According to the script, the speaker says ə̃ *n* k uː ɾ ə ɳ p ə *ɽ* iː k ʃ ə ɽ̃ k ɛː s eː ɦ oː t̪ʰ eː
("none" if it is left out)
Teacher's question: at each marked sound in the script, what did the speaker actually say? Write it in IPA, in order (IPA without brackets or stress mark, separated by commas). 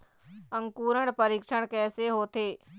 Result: ŋ, ɾ